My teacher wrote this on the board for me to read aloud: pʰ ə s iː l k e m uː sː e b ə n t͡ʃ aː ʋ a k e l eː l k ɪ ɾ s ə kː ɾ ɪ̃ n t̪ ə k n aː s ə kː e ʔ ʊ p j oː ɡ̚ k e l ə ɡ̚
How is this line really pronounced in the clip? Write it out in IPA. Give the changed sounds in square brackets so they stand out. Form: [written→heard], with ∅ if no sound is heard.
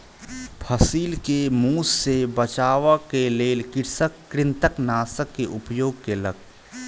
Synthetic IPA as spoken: pʰ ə s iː l k e m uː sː e b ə [n→∅] t͡ʃ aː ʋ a k e l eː l k ɪ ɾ s ə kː ɾ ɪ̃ n t̪ ə k n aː s ə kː e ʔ ʊ p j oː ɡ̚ k e l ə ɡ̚